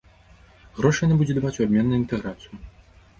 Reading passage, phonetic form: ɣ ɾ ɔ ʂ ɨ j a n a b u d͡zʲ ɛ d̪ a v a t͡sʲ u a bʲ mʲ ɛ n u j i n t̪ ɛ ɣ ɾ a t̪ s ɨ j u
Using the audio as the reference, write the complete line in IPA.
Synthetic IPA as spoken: ɣ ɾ ɔ ʂ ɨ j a n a b u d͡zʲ ɛ d̪ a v a t͡sʲ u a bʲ mʲ ɛ nː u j i n t̪ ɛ ɣ ɾ a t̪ s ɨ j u